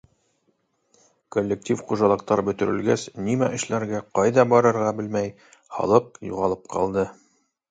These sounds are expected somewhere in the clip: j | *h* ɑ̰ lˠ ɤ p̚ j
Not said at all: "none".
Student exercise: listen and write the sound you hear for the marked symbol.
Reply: h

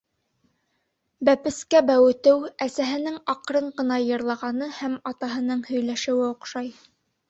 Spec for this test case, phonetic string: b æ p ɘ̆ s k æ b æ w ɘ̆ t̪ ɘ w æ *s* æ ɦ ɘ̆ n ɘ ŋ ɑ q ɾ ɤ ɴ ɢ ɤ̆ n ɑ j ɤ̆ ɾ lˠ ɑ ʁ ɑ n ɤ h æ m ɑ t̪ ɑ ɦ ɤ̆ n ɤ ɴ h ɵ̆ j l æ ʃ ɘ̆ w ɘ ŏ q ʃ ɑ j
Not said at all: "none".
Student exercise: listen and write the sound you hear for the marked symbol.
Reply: s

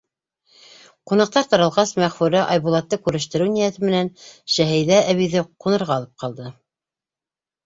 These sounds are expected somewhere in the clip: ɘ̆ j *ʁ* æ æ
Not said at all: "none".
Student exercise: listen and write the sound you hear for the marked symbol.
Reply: ð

